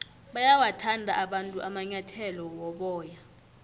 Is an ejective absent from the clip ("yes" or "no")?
no